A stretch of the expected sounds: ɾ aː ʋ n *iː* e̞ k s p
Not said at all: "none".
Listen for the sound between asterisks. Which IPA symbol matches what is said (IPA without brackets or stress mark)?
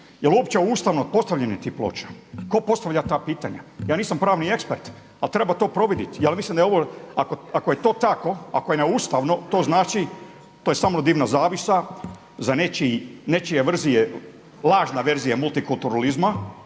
i